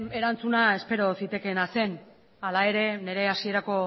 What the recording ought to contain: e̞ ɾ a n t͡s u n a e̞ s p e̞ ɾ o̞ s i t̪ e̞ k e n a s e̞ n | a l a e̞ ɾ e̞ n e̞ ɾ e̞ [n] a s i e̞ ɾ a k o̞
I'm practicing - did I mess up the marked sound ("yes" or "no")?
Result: yes